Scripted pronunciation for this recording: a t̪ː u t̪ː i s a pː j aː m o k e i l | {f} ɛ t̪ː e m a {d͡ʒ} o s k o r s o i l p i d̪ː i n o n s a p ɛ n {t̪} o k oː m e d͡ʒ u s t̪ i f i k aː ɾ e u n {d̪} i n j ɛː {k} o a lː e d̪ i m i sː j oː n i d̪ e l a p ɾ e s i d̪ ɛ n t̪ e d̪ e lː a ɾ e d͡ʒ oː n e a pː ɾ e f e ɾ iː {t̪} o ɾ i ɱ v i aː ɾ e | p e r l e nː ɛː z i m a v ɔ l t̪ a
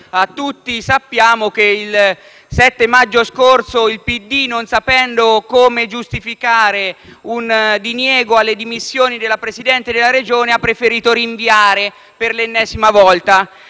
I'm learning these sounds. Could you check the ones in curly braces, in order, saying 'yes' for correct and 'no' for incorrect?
no, no, no, yes, no, yes

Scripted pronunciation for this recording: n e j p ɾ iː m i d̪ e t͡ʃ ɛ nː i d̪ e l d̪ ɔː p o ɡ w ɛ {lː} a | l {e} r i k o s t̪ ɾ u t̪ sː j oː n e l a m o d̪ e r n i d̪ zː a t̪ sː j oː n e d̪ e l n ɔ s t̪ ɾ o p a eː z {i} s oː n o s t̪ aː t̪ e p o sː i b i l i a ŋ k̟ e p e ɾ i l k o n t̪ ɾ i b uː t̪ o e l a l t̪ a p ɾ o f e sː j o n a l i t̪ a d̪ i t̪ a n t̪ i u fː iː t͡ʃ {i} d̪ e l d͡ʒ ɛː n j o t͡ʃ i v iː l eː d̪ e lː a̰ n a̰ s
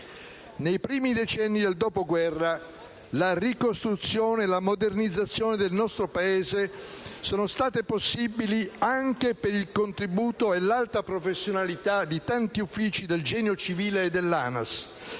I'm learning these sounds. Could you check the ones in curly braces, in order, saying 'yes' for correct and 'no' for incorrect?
no, no, no, yes

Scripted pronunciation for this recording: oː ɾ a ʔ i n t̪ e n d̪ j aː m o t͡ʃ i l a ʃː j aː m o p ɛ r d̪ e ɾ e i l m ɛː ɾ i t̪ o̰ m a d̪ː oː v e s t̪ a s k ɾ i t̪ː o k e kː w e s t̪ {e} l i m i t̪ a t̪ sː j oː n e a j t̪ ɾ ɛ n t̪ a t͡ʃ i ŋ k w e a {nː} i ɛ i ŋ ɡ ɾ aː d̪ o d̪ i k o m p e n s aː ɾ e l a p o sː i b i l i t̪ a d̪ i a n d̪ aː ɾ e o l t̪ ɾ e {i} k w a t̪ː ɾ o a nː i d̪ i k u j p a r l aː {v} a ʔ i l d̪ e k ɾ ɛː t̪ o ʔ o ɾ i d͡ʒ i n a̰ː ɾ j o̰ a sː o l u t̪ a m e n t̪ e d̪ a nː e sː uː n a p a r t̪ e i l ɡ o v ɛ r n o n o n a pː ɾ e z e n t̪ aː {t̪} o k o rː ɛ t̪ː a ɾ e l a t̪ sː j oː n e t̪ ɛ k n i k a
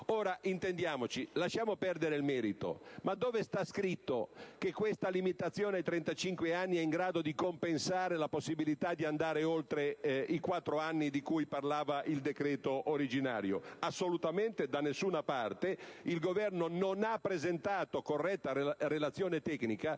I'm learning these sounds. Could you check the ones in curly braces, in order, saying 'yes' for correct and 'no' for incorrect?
no, yes, yes, yes, yes

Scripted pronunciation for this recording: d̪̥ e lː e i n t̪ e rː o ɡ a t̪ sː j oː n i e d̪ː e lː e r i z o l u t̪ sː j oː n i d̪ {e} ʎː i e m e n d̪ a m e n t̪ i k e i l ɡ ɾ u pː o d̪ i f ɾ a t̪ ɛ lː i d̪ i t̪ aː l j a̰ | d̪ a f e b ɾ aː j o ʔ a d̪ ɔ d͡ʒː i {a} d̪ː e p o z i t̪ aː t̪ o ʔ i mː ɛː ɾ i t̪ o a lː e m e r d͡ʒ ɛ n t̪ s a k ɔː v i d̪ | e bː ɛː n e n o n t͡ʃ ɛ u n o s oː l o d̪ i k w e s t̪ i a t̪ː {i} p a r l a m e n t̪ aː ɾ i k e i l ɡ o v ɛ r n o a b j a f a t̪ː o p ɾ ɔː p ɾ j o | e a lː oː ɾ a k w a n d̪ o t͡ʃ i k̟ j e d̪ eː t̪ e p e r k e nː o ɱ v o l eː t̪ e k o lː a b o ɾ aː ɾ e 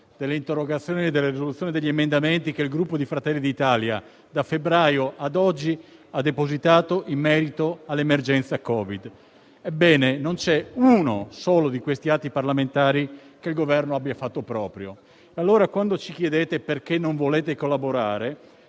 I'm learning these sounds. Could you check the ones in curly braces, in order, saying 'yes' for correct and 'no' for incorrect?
yes, yes, yes

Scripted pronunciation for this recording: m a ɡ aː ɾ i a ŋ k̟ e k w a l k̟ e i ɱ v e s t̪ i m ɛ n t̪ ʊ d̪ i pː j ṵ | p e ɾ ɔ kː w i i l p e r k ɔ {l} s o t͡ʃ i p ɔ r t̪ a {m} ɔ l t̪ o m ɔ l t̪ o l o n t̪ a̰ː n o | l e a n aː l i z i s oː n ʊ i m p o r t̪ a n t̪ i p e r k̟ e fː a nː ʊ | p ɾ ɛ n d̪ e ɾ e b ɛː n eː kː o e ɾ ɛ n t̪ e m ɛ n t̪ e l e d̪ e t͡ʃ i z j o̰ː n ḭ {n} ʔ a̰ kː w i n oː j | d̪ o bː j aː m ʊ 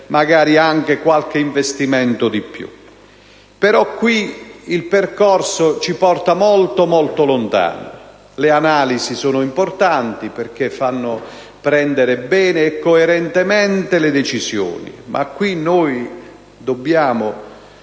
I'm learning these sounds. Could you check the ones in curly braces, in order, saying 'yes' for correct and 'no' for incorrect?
no, yes, no

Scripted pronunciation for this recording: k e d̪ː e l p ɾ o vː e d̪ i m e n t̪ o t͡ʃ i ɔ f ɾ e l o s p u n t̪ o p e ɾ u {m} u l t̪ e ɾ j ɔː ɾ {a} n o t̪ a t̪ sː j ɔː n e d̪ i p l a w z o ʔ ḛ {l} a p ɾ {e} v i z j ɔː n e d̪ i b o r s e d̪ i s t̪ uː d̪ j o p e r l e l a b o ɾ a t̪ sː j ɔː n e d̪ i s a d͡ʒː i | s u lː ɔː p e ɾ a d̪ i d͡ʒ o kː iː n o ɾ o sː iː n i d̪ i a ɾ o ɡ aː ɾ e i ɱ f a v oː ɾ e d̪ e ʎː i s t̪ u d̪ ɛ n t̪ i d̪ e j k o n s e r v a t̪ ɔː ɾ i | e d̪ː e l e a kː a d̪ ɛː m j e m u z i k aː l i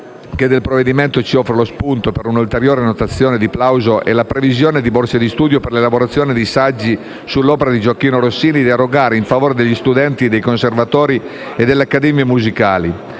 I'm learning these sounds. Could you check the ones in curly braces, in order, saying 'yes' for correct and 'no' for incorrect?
no, no, yes, yes

